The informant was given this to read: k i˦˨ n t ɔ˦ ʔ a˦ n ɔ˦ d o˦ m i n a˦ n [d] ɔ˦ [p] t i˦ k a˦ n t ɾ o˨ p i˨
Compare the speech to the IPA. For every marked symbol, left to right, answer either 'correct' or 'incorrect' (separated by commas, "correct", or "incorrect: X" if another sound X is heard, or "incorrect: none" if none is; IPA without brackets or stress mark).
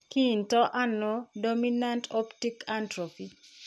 incorrect: t, correct